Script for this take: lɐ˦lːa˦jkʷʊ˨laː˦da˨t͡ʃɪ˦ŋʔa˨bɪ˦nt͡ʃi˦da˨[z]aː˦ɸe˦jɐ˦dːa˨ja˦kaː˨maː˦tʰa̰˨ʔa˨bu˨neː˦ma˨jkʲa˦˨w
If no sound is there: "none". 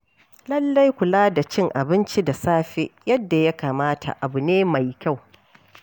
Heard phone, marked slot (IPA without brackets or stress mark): s